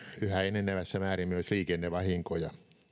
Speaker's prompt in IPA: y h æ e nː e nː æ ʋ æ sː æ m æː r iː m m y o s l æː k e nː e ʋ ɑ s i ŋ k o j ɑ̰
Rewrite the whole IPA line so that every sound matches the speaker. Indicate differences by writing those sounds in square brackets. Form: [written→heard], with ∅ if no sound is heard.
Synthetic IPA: y h æ e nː e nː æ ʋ æ sː æ m æː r [iː→i] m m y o s l [æː→iː] k e nː e ʋ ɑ [s→h] i ŋ k o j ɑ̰